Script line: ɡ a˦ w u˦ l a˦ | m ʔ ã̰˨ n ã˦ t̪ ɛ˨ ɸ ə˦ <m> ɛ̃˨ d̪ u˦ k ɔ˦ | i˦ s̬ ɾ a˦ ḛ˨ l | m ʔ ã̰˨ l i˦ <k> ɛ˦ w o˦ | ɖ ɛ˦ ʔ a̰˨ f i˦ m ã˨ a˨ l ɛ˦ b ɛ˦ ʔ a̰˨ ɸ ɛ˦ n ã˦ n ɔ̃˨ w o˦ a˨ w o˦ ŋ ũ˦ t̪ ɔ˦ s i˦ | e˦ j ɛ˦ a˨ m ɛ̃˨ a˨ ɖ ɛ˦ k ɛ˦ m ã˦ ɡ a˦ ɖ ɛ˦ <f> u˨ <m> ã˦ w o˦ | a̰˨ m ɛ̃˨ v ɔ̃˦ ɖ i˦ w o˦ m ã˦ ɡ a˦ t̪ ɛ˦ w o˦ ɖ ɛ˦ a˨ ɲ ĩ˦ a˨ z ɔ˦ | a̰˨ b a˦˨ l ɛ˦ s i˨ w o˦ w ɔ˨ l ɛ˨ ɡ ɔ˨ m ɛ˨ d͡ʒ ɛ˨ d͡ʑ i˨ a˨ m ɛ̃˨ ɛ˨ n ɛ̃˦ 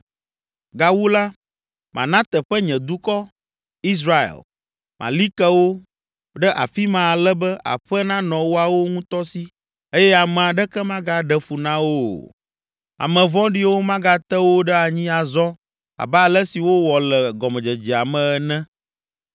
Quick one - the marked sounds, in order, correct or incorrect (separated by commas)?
incorrect, correct, correct, incorrect